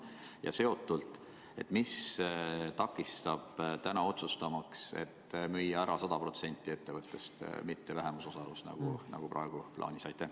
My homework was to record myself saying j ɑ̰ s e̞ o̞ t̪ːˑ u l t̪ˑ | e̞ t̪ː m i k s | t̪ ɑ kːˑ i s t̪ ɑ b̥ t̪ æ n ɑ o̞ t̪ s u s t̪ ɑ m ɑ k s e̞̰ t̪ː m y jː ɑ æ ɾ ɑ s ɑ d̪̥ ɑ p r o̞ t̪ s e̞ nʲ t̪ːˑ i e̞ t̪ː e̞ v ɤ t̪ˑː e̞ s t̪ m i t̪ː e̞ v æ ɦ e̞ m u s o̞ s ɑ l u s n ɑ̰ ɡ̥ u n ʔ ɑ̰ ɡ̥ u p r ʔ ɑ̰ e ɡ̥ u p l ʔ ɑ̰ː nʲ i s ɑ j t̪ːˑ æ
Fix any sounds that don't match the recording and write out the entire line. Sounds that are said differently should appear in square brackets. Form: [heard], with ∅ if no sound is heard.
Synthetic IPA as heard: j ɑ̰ s e̞ o̞ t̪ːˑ u l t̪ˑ | e̞ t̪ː m i [∅] s | t̪ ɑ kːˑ i s t̪ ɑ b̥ t̪ æ n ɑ o̞ t̪ s u s t̪ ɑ m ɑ k s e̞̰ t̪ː m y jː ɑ æ ɾ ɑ s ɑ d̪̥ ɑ p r o̞ t̪ s e̞ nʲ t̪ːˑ i e̞ t̪ː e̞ v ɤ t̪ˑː e̞ s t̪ m i t̪ː e̞ v æ ɦ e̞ m u s o̞ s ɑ l u s n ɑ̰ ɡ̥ u n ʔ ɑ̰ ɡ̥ u p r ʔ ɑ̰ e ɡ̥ u p l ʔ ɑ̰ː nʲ i s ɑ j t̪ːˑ æ